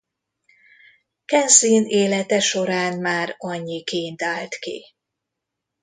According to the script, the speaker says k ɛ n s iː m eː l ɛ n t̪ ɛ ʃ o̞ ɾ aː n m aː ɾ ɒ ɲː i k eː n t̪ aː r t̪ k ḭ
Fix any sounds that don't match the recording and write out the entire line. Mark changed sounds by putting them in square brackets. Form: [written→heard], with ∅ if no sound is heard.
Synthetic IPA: k ɛ n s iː [m→n] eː l ɛ [n→∅] t̪ ɛ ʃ o̞ ɾ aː n m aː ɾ ɒ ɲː i k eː n t̪ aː [r→l] t̪ k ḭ